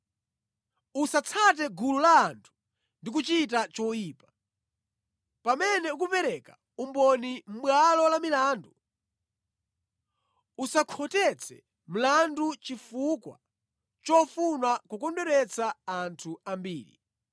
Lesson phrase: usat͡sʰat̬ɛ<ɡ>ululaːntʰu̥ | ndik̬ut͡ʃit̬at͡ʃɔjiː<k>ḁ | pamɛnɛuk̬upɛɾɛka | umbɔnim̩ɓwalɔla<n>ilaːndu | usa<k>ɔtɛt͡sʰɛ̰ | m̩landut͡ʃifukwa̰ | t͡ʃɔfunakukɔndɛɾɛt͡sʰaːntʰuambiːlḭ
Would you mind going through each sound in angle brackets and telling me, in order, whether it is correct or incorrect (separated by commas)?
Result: correct, incorrect, incorrect, incorrect